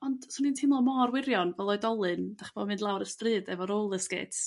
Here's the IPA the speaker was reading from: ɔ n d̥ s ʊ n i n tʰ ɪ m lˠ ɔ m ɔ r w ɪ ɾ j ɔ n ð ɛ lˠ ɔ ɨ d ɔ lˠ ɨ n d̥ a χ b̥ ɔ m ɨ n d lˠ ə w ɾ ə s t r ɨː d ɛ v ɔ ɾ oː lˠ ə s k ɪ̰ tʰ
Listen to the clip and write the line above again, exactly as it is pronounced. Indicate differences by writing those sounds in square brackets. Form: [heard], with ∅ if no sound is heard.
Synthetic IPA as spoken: ɔ n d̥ s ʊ n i n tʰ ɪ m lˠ ɔ m ɔ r w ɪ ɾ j ɔ n [v] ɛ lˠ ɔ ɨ d ɔ lˠ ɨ n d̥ a χ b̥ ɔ m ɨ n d lˠ [a] w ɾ ə s t r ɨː d ɛ v ɔ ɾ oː lˠ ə s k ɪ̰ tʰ